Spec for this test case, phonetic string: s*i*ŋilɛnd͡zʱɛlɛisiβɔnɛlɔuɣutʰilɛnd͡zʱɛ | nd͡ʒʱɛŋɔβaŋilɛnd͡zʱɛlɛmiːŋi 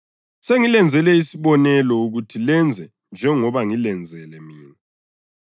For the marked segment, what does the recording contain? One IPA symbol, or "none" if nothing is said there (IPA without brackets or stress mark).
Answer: e